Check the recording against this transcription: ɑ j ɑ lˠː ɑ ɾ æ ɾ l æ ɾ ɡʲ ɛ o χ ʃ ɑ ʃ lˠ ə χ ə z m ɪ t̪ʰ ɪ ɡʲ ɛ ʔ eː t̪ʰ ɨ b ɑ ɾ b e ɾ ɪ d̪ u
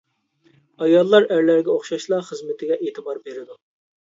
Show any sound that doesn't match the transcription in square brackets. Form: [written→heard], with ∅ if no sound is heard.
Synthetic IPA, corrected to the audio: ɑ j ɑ lˠː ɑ ɾ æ ɾ l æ ɾ ɡʲ ɛ o χ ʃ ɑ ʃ lˠ [ə→ɑ] χ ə z m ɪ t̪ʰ ɪ ɡʲ ɛ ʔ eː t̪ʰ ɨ b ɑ ɾ b e ɾ ɪ d̪ u